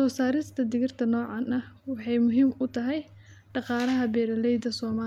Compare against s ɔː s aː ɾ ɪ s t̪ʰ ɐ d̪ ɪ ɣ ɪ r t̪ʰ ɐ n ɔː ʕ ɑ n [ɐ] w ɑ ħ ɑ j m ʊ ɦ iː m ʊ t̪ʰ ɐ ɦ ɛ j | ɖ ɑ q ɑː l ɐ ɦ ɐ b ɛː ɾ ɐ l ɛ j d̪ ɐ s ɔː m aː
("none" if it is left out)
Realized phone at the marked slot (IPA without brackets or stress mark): ɐ